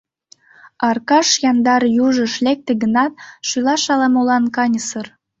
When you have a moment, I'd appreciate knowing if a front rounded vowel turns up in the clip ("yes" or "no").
yes